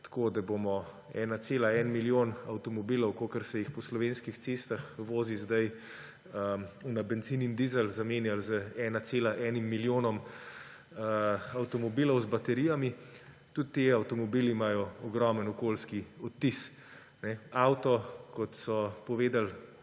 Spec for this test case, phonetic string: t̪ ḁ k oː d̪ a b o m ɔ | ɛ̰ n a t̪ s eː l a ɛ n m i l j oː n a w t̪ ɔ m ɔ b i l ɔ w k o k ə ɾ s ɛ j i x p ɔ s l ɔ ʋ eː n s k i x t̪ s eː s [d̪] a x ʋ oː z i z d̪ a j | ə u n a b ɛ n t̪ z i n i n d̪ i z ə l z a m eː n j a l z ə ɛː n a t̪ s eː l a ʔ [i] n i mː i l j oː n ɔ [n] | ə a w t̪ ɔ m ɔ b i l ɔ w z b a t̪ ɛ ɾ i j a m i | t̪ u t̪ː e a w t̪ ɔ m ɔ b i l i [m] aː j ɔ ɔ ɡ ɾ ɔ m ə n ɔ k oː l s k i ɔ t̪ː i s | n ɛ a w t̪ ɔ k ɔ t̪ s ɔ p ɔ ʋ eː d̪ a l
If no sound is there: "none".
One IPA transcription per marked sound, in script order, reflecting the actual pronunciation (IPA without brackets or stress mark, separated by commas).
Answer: t̪, ɛ, m, m